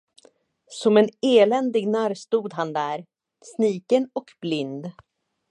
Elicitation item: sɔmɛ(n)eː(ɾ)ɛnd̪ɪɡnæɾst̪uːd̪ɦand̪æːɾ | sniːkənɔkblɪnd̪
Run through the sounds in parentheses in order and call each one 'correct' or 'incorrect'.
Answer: correct, incorrect

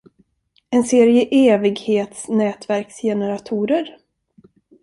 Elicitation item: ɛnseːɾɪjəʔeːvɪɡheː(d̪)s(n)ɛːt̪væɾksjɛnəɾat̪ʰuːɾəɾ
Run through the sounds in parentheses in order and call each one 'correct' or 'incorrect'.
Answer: incorrect, correct

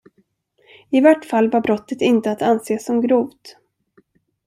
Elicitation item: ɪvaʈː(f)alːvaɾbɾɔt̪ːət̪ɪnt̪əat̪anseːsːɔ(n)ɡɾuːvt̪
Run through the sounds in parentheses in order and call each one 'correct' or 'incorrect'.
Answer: correct, incorrect

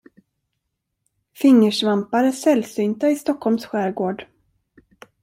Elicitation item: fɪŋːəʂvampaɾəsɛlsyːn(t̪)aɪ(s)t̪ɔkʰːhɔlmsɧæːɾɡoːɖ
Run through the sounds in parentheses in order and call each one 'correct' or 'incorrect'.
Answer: correct, correct

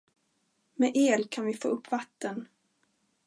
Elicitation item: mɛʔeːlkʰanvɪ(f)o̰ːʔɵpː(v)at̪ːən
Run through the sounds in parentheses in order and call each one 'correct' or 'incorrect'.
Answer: correct, correct

